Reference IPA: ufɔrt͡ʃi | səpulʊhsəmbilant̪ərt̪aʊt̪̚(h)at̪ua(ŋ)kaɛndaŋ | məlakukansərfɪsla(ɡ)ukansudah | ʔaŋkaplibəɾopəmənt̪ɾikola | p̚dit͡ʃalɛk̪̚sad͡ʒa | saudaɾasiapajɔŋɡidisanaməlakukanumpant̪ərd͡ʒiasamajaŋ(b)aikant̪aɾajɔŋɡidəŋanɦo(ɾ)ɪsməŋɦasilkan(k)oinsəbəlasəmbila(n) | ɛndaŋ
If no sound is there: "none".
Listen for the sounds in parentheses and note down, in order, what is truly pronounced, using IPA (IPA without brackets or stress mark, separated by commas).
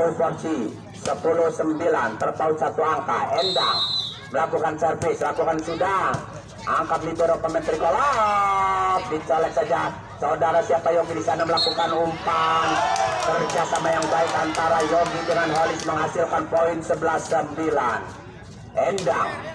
s, ŋ, k, b, l, p, n